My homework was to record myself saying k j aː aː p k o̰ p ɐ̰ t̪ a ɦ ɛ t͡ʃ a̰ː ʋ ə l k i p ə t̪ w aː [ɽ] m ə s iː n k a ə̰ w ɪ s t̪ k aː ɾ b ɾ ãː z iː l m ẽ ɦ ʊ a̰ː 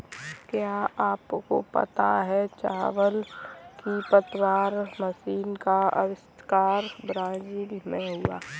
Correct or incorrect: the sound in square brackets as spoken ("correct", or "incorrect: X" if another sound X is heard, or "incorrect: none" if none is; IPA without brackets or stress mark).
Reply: incorrect: ɾ